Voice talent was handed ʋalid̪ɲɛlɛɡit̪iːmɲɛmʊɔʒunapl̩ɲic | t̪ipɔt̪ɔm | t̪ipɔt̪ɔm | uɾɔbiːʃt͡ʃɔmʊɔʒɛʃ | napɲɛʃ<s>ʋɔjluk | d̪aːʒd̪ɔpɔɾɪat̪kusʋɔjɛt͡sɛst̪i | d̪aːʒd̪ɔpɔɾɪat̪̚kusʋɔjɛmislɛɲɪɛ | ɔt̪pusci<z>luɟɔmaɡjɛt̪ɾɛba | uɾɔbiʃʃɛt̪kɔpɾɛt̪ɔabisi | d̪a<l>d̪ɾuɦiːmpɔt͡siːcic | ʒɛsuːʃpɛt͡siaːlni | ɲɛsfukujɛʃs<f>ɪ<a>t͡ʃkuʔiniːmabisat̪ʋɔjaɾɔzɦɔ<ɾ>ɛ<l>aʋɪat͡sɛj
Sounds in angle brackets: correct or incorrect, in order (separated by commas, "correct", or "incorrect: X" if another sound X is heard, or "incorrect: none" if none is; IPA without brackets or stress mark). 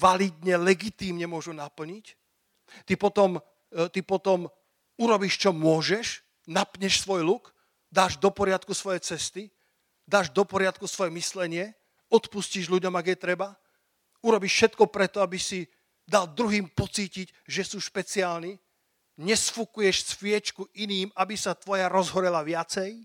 correct, incorrect: ʒ, correct, correct, incorrect: ɛ, correct, correct